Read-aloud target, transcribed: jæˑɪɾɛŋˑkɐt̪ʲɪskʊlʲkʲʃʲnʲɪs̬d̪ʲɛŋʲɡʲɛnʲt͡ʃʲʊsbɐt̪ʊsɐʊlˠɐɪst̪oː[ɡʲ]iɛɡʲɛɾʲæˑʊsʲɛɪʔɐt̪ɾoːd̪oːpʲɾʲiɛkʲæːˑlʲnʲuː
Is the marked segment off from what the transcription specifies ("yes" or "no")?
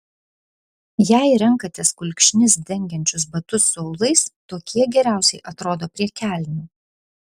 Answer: yes